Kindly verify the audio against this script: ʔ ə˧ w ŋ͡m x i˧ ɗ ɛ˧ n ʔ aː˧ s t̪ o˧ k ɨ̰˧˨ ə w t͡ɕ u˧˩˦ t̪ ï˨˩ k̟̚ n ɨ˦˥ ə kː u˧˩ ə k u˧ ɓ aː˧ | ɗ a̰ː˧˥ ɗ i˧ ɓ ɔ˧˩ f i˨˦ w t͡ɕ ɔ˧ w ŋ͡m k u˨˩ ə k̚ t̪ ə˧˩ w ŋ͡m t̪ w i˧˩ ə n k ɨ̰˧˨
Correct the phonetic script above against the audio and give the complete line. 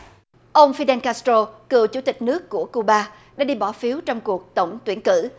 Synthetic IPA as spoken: ʔ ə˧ w ŋ͡m f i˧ ɗ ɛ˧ n k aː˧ s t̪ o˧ k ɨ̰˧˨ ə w t͡ɕ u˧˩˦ t̪ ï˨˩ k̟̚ n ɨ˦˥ ə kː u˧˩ ə k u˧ ɓ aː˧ | ɗ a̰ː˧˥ ɗ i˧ ɓ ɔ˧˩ f i˨˦ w t͡ɕ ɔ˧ w ŋ͡m k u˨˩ ə k̚ t̪ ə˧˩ w ŋ͡m t̪ w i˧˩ ə n k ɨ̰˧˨